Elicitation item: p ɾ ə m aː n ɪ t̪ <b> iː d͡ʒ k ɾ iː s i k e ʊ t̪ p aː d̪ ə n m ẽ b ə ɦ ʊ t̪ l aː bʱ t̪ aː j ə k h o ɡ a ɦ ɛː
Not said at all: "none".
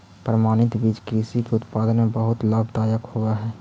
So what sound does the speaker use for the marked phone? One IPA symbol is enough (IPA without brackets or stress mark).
b